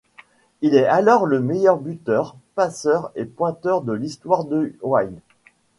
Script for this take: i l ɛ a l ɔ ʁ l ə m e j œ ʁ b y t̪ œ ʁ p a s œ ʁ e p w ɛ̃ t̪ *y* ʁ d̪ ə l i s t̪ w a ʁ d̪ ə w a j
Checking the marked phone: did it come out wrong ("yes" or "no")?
yes